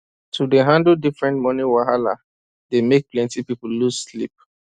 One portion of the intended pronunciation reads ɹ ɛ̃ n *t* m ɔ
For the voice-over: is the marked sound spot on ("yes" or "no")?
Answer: yes